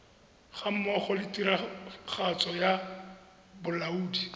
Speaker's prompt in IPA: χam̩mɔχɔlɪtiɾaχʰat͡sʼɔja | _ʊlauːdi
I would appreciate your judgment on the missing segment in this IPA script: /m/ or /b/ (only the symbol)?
b